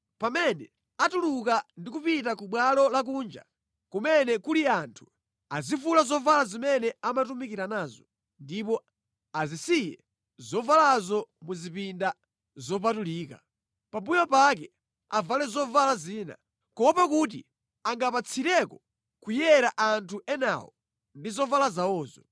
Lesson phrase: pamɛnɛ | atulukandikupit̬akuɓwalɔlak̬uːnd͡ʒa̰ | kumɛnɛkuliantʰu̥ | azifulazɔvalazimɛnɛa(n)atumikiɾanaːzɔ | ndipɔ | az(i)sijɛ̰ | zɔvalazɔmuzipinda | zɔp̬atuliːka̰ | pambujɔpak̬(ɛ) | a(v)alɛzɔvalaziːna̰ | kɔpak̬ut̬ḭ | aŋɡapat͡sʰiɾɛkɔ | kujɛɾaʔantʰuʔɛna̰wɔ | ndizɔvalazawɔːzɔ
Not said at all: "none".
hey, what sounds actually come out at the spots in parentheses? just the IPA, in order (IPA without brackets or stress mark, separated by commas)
m, i, ɛ, v